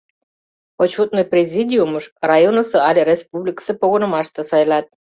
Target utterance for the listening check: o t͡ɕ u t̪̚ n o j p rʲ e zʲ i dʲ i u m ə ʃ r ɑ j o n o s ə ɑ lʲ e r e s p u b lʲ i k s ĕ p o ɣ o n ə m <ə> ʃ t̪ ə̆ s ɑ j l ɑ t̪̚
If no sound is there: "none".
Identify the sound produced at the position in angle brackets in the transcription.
ɑ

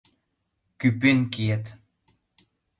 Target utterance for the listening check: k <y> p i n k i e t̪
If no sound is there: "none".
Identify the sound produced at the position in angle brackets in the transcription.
y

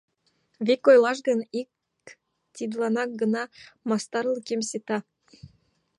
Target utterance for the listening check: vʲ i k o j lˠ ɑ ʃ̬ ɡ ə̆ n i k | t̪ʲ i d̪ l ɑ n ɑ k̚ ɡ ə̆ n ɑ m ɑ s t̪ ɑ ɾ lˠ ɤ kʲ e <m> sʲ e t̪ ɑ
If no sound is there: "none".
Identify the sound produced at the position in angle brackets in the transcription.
m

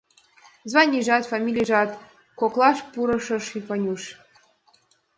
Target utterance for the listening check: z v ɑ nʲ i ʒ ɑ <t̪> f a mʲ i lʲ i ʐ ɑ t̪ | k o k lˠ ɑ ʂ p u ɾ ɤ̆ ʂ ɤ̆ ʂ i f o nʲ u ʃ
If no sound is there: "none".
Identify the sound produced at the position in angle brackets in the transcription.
t̪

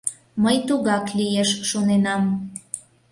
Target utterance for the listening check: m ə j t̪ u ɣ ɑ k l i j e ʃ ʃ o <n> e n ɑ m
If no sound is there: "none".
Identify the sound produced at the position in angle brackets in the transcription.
n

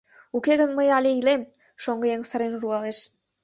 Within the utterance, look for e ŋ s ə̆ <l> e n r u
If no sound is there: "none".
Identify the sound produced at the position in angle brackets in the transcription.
ɾ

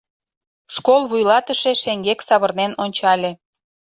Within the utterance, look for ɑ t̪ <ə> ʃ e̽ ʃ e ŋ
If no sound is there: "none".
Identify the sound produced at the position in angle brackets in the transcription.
ə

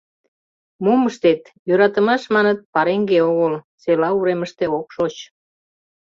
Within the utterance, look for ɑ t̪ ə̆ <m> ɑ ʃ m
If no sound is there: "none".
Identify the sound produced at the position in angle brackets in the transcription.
m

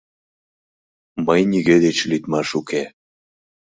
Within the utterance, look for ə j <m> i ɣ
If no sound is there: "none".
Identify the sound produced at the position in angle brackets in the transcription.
n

